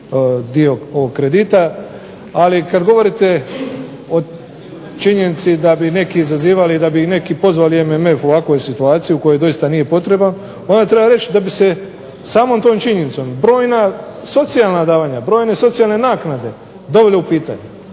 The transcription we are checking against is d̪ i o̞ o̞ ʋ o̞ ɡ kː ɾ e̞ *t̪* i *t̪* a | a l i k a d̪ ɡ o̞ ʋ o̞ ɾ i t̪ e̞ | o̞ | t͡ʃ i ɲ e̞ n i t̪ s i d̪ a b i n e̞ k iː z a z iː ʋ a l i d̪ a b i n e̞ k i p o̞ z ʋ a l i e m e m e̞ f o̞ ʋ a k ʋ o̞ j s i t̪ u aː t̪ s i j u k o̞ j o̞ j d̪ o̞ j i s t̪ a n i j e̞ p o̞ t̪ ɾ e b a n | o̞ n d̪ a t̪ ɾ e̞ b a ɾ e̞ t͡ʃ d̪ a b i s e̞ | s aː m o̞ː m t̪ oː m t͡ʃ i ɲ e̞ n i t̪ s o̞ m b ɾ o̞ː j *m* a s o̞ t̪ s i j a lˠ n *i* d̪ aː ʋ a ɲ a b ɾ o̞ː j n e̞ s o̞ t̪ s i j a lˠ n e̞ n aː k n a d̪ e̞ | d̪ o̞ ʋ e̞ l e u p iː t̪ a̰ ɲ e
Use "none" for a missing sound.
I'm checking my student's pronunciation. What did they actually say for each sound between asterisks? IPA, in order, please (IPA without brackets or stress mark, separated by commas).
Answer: d̪, t̪, n, a